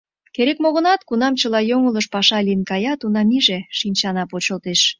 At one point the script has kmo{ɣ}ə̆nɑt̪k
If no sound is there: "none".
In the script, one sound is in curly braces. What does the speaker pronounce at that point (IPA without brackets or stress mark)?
ɣ